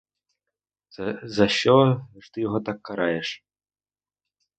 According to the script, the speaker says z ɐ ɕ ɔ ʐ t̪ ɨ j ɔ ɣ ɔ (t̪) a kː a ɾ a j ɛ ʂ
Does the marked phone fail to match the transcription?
no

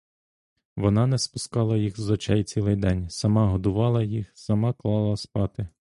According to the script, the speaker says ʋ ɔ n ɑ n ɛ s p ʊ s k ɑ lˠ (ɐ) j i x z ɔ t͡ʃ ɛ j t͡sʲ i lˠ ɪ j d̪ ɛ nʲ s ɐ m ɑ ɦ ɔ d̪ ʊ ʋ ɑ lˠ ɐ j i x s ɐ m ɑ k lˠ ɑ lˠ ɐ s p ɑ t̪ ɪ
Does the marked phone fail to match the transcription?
no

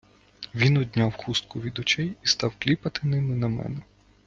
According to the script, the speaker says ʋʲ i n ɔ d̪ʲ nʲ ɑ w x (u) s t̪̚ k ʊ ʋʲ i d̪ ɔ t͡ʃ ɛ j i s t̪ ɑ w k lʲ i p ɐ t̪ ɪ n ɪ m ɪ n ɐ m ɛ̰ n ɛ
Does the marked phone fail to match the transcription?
no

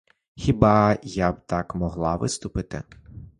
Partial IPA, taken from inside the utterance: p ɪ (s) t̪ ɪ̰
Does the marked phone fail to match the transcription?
yes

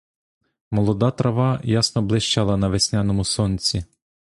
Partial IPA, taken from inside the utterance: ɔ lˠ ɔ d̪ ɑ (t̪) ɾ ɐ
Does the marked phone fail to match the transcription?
no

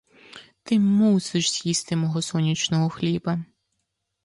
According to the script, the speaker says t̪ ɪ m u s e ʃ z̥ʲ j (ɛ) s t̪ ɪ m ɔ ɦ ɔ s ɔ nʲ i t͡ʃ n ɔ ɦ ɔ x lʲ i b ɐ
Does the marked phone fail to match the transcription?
yes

